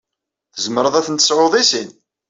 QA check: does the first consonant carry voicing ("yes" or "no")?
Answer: no